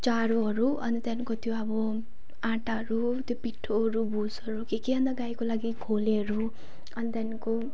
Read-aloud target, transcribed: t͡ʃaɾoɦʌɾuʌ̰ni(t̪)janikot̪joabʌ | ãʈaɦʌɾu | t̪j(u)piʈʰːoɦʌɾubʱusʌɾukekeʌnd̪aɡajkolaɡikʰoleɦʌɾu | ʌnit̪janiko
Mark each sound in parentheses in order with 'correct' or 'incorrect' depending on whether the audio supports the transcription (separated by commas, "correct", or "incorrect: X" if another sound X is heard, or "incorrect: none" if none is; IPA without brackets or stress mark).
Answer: correct, incorrect: o